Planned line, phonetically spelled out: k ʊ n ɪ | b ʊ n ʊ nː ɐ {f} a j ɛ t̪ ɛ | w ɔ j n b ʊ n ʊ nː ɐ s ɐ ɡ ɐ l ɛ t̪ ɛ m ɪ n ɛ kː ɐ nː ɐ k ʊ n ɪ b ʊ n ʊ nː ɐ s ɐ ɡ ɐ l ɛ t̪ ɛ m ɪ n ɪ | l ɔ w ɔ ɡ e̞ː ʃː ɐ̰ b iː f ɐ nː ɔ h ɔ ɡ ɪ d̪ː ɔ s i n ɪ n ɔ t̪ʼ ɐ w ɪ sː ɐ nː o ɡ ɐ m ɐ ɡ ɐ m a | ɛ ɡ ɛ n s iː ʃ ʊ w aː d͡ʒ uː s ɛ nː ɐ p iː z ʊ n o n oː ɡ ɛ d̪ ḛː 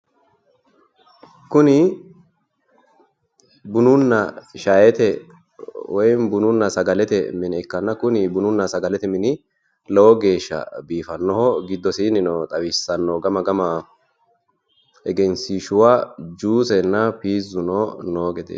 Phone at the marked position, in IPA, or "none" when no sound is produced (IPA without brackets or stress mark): ʃ